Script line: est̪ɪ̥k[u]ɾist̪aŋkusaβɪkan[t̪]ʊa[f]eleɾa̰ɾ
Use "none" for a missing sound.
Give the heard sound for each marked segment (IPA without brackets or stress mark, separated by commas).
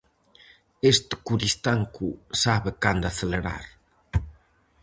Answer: u, d̪, θ